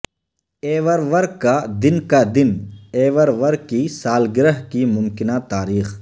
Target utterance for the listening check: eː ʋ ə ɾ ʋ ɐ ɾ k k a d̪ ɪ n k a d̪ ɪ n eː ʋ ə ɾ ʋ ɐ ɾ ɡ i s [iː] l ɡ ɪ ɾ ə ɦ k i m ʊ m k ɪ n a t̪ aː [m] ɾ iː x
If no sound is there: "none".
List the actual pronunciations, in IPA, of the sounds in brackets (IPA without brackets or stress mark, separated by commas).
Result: aː, none